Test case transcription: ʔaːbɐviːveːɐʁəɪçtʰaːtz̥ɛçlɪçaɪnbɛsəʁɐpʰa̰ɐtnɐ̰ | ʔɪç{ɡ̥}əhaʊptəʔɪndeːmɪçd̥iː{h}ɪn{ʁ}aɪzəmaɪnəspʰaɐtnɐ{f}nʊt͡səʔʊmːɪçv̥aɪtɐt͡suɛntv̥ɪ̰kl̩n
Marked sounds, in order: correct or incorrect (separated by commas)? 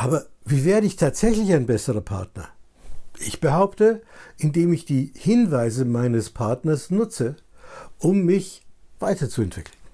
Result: incorrect, correct, incorrect, incorrect